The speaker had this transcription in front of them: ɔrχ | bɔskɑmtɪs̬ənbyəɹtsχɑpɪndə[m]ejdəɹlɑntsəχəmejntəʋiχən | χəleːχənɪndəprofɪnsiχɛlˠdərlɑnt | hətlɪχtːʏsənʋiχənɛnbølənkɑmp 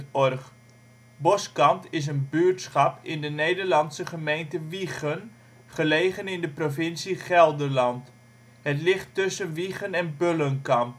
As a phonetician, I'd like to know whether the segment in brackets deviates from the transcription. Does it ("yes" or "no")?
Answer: yes